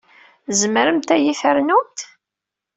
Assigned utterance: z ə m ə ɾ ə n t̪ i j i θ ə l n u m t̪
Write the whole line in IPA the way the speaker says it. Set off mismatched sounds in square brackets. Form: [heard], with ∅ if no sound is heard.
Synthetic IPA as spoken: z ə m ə ɾ ə [m] t̪ [æ] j i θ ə [ɾ] n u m t̪